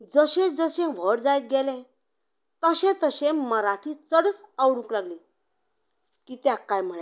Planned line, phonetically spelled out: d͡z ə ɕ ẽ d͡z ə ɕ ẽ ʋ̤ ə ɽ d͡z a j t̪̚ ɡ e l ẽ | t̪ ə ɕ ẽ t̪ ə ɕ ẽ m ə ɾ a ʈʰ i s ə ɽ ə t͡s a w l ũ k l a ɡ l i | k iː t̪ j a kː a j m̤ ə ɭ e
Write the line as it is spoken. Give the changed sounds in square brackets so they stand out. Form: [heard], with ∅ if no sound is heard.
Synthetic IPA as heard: d͡z ə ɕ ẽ d͡z ə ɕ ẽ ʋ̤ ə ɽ d͡z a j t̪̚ ɡ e l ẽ | t̪ ə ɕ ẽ t̪ ə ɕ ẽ m ə ɾ a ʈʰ i [t͡s] ə ɽ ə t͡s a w [ɽ] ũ k l a ɡ l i | k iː t̪ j a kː a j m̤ ə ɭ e